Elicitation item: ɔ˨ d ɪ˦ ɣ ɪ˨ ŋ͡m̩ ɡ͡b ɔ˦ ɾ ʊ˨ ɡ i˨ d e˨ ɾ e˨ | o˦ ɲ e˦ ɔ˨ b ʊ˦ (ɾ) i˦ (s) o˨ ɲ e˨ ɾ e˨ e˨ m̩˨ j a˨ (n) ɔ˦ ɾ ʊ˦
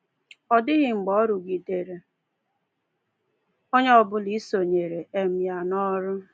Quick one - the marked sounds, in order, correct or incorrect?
incorrect: l, correct, correct

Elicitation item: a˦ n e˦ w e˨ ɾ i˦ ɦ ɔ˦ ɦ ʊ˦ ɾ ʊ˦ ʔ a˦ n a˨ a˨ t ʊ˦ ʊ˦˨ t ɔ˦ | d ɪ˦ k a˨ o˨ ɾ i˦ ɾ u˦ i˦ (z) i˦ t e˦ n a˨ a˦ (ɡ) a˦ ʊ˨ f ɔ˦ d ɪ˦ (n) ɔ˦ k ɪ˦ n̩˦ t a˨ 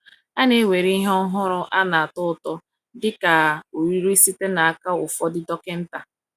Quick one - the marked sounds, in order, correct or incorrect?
incorrect: s, incorrect: k, incorrect: d

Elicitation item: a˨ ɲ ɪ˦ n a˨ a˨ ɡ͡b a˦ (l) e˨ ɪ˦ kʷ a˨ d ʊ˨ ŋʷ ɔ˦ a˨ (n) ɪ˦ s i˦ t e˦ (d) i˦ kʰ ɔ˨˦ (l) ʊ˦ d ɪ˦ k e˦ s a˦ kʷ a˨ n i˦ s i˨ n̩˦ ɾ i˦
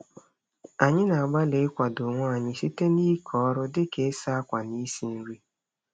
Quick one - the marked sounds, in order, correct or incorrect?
correct, incorrect: ɲ, incorrect: n, incorrect: ɾ

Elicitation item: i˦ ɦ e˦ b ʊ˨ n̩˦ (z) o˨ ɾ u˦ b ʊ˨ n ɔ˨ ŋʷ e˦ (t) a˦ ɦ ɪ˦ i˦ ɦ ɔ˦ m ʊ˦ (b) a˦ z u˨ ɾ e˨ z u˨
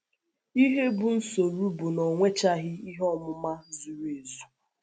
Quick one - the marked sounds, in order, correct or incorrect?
incorrect: s, incorrect: t͡ʃ, incorrect: m

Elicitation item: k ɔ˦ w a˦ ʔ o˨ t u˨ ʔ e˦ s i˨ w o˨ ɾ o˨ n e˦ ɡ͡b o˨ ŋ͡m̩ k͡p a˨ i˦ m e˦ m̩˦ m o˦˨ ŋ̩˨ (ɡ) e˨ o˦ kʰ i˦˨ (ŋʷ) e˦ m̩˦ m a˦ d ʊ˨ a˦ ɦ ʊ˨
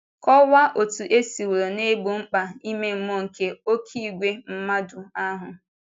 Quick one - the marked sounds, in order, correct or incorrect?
incorrect: k, incorrect: ɡʷ

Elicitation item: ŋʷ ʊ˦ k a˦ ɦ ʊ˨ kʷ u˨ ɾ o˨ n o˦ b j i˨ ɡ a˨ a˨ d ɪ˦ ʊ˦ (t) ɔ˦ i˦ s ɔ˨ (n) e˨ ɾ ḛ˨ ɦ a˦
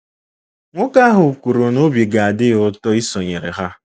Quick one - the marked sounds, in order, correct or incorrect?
correct, incorrect: ɲ

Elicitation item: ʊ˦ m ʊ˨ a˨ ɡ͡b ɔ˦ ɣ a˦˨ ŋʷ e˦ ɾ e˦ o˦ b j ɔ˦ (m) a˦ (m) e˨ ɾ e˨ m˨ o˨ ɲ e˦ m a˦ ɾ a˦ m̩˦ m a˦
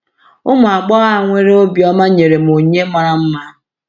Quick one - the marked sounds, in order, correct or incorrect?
correct, incorrect: ɲ

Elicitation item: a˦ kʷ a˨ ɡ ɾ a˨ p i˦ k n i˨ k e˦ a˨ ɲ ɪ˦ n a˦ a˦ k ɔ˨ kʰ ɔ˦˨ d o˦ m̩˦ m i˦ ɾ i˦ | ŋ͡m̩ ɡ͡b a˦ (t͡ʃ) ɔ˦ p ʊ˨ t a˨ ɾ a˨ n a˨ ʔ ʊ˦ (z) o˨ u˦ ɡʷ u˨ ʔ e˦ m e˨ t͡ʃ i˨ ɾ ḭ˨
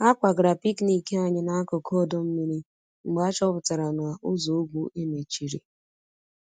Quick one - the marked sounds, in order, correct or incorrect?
correct, correct

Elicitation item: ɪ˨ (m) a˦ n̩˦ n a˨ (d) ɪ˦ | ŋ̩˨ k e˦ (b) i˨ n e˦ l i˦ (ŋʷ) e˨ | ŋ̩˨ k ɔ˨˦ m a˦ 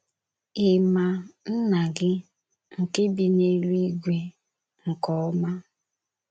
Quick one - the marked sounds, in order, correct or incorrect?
correct, incorrect: ɡ, correct, incorrect: ɡʷ

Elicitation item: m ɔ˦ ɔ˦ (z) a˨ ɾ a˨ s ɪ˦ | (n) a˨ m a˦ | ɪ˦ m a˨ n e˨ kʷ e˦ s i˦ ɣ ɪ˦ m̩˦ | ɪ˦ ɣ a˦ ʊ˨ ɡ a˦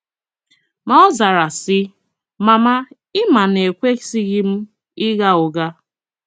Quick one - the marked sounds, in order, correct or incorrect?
correct, incorrect: m

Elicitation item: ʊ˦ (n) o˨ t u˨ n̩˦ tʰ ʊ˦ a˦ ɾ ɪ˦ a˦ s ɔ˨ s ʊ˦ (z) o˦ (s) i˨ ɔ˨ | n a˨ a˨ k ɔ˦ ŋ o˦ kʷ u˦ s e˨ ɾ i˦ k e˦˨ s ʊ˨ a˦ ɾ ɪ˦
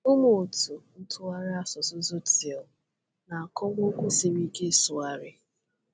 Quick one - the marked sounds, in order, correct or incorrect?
incorrect: m, correct, incorrect: t

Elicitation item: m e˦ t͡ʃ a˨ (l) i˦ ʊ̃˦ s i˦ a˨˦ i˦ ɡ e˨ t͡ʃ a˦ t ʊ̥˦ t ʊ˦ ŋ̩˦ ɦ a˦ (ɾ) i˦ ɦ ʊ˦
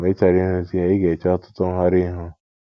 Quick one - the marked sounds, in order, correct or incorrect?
incorrect: ɾ, correct

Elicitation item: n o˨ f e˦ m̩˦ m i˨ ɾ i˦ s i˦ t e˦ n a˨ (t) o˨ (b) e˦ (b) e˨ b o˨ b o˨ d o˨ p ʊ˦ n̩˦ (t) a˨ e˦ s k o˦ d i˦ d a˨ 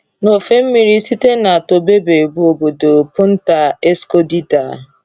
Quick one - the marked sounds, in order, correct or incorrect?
correct, correct, correct, correct

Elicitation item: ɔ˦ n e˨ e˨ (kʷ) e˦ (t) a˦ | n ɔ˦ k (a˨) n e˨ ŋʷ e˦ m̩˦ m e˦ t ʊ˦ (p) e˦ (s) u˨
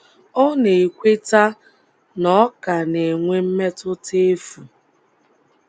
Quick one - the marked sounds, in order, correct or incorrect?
correct, correct, correct, incorrect: t, incorrect: f

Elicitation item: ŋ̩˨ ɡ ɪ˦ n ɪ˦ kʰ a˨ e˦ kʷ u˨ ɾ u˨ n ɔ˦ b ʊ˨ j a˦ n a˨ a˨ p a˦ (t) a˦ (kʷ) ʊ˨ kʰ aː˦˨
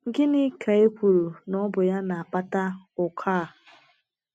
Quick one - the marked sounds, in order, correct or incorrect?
correct, incorrect: none

